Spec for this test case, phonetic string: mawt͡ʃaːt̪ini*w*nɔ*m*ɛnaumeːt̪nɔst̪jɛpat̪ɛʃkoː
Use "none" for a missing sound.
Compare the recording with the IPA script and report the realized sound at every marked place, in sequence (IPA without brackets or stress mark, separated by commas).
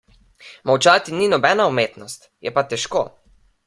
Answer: none, b